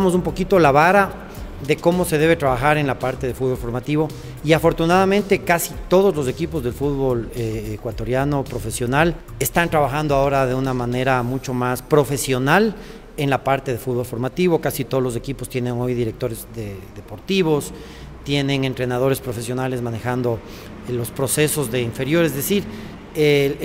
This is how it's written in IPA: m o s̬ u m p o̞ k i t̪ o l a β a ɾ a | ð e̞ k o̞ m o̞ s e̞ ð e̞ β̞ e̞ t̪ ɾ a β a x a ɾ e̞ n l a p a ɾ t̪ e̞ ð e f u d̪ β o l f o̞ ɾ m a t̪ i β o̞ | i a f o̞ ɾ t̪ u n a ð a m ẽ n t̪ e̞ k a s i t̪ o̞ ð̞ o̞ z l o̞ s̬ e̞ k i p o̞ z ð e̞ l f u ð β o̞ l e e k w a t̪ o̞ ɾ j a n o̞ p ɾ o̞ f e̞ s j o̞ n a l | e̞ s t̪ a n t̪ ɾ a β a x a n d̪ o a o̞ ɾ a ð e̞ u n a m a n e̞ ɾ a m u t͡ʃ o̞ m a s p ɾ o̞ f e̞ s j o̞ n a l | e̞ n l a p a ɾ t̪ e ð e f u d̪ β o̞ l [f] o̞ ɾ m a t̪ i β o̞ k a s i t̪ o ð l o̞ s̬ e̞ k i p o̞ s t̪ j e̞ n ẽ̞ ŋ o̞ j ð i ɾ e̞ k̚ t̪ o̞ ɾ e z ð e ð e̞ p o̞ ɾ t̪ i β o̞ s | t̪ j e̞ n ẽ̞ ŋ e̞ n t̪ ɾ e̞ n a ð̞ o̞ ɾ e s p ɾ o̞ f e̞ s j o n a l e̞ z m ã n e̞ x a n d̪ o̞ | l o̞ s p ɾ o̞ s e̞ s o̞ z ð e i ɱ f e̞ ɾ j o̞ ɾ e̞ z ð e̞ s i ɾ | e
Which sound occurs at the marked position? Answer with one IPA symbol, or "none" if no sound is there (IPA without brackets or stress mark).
f